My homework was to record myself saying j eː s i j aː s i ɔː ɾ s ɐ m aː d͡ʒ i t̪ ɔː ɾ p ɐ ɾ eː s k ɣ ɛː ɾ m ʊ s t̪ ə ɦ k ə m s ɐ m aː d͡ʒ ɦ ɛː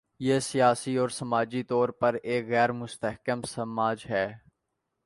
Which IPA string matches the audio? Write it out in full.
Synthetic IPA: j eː s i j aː s i ɔː ɾ s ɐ m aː d͡ʒ i t̪ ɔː ɾ p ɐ ɾ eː k ɣ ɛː ɾ m ʊ s t̪ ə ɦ k ə m s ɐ m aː d͡ʒ ɦ ɛː